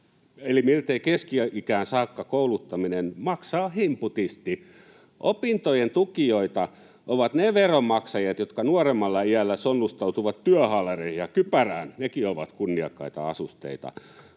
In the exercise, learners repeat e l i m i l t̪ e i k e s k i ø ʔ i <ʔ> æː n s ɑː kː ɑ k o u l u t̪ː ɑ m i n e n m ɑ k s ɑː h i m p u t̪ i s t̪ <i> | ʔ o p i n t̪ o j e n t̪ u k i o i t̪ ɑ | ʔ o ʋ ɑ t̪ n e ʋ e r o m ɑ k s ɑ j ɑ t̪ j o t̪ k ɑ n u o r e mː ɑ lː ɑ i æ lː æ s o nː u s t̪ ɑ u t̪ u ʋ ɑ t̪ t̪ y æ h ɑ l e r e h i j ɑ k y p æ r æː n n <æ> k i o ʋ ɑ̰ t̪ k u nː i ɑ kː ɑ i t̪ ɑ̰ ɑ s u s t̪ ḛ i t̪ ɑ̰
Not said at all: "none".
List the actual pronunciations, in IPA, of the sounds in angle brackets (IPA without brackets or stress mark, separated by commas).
k, i, e